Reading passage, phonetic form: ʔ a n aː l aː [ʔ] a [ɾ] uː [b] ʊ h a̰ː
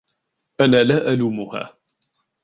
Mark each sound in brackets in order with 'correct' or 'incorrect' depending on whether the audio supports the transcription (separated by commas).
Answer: correct, incorrect, incorrect